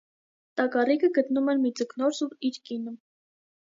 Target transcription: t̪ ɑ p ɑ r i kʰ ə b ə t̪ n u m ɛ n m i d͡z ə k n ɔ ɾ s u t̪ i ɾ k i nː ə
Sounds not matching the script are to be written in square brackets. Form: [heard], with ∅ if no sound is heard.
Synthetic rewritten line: t̪ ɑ [k] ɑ r i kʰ ə [ɡ] ə t̪ n u m ɛ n m i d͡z ə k n ɔ ɾ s u [∅] i ɾ k i [n] ə